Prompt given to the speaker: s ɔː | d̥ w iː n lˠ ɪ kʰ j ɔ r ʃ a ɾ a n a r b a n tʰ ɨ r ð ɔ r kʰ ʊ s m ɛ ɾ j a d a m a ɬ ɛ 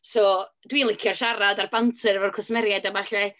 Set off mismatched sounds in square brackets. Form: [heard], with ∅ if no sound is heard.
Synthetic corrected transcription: s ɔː | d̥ w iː n lˠ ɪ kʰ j ɔ r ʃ a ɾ a [d] a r b a n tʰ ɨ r [v] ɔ r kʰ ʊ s m ɛ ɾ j a d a m a ɬ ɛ